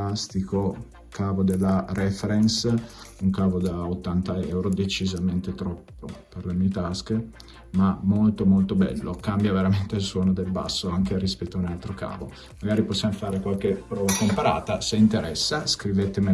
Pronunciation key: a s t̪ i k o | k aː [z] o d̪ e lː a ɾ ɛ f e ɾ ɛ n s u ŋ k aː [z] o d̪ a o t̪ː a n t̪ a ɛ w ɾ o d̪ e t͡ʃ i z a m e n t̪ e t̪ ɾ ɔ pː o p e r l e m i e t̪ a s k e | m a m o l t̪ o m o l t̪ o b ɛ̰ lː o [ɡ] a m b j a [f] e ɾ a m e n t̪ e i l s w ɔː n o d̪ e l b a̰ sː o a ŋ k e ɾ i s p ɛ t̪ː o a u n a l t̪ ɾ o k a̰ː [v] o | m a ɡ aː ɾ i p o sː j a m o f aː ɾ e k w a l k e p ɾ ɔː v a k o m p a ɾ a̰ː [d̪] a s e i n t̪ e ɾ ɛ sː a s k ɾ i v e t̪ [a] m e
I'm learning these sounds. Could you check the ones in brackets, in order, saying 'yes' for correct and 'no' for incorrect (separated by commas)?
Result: no, no, no, no, yes, no, no